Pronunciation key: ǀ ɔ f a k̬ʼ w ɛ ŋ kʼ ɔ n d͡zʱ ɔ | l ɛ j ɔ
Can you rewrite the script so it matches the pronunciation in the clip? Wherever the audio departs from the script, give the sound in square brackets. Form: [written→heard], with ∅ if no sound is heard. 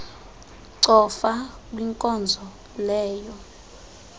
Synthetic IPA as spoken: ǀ ɔ f a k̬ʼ w [ɛ→i] ŋ kʼ ɔ n d͡zʱ ɔ | l [ɛ→ɛː] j ɔ